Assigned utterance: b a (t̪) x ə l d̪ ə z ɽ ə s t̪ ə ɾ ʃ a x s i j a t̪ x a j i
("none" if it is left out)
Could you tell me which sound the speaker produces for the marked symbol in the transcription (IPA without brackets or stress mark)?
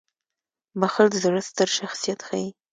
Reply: none